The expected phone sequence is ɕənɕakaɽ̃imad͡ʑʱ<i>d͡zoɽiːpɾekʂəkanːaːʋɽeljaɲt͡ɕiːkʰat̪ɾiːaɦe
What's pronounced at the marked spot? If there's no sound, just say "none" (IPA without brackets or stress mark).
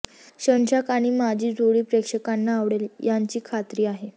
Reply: iː